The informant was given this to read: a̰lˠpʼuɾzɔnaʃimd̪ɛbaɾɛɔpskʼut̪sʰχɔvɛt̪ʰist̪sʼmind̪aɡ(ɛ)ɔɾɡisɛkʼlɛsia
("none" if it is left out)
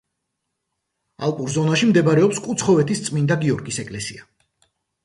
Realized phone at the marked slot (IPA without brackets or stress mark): i